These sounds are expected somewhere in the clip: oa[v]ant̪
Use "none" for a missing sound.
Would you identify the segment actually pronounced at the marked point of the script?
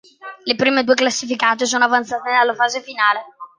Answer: v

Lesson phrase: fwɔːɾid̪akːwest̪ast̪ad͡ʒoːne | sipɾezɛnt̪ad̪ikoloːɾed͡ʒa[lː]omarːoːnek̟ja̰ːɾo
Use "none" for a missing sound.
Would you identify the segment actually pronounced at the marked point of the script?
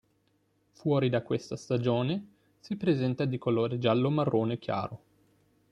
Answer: lː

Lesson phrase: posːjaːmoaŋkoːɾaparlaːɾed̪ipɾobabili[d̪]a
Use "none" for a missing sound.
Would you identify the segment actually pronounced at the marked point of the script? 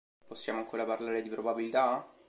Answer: t̪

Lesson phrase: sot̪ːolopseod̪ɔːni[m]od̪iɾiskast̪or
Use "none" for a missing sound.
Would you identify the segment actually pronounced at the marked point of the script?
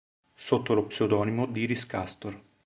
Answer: m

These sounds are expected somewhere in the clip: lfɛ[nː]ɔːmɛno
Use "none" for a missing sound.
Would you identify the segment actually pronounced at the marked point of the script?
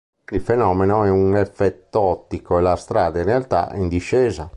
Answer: n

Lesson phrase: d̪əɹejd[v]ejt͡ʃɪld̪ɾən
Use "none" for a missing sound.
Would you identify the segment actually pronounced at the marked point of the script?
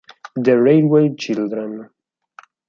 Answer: w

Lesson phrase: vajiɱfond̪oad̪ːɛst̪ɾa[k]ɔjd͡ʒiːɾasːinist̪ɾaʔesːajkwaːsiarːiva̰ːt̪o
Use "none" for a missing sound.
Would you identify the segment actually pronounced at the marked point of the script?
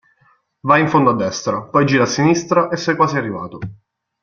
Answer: p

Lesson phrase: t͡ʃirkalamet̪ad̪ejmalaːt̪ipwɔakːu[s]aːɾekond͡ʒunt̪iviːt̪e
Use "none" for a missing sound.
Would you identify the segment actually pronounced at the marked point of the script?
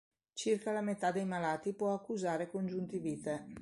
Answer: z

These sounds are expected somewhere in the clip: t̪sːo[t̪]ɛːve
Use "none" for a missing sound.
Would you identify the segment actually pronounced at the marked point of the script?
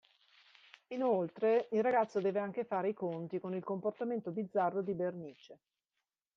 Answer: d̪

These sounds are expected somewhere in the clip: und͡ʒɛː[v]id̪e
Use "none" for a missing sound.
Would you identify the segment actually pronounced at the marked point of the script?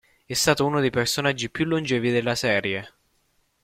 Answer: v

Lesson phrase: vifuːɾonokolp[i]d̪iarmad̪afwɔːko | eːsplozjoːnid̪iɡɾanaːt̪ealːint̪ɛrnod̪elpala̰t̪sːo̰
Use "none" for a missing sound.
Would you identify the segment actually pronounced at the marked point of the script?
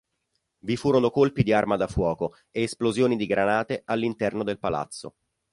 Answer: i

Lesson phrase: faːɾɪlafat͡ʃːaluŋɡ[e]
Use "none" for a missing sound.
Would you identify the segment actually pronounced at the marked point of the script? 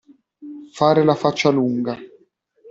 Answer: a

